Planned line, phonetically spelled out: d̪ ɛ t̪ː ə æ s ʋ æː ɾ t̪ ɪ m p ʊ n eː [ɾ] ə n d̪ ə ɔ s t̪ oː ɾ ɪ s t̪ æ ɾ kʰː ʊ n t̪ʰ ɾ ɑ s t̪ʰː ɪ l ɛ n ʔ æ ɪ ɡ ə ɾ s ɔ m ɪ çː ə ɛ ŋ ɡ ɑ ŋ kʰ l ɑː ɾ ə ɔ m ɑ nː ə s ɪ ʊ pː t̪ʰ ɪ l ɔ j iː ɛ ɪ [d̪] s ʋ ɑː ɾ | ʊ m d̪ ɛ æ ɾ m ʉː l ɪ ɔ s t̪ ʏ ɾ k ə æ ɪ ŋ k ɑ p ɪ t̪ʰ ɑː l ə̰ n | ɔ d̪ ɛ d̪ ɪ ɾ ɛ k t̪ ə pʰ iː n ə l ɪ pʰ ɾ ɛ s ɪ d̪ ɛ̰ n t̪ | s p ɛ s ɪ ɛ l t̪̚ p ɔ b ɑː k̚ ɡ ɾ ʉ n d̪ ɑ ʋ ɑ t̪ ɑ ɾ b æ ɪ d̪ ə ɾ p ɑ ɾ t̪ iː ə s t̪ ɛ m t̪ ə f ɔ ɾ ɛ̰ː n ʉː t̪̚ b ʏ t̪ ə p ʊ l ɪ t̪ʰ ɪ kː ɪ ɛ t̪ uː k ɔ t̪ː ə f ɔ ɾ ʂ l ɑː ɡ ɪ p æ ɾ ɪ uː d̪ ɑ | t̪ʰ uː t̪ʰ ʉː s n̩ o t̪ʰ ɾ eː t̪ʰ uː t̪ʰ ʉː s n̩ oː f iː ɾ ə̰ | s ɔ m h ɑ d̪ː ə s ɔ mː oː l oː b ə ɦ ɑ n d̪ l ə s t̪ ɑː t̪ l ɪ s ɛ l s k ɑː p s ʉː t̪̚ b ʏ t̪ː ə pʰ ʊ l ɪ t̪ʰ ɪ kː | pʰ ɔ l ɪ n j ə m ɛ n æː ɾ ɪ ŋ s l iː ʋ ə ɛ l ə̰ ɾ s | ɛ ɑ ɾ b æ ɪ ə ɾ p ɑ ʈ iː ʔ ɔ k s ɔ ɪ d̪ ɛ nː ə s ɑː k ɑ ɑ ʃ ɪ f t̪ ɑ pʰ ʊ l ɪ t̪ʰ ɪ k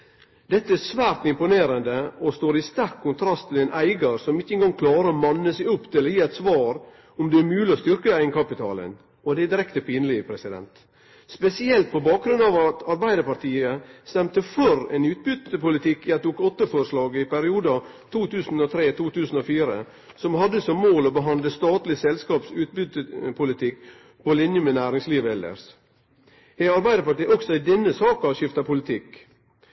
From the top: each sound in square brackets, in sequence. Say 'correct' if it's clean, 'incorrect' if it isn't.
correct, incorrect

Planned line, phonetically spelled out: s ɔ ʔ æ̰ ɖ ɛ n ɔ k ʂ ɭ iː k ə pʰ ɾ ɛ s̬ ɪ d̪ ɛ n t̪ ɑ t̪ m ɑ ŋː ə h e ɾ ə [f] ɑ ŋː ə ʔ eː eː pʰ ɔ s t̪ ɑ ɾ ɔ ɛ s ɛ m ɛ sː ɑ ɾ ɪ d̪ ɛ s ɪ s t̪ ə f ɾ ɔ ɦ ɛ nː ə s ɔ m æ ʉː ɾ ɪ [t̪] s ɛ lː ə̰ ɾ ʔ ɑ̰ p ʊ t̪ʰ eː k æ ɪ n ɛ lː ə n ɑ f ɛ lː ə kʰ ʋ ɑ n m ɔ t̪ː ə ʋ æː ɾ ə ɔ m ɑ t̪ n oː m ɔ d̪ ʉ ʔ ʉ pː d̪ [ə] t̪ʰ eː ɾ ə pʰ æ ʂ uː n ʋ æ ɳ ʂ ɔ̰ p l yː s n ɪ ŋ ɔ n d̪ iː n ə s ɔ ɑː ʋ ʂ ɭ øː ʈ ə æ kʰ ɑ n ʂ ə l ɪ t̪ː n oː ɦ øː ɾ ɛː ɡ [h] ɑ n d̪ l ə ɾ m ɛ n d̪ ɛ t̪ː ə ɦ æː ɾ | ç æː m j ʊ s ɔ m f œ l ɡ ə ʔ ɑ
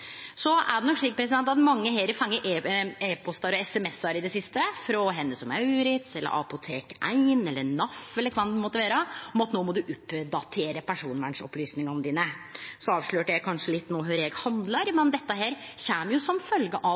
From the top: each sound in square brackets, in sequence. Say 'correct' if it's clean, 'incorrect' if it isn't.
correct, correct, incorrect, correct

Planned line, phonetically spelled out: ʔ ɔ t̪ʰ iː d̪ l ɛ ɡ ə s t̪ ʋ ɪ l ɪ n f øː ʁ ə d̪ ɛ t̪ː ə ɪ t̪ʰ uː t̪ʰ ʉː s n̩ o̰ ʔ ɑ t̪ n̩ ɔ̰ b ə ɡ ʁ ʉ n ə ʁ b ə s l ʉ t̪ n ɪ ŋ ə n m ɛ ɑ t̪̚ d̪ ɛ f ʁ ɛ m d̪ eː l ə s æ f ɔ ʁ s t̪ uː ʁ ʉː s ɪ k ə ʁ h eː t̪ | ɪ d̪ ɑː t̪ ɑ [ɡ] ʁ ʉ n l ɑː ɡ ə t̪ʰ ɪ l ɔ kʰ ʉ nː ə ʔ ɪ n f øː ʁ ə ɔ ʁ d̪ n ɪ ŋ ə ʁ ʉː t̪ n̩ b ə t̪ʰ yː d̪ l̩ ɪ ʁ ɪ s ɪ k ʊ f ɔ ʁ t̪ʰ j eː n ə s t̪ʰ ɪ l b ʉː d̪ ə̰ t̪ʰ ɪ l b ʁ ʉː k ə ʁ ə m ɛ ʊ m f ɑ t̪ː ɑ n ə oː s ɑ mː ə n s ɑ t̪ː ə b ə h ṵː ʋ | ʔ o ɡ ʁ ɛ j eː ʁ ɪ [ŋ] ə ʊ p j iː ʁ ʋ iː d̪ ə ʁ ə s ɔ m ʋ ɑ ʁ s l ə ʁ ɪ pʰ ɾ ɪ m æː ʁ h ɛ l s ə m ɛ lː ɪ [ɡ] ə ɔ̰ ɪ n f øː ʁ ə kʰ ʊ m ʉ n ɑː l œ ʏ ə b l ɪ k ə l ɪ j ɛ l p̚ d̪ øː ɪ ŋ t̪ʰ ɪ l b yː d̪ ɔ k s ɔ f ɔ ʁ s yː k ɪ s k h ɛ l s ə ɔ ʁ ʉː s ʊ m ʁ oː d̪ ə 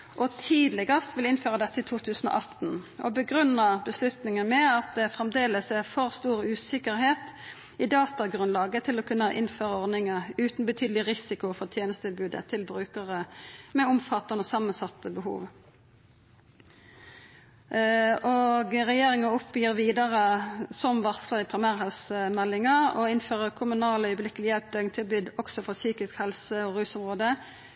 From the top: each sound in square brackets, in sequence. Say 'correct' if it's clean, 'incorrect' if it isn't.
correct, correct, incorrect

